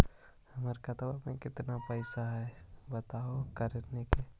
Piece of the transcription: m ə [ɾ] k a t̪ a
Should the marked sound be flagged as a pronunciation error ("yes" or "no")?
no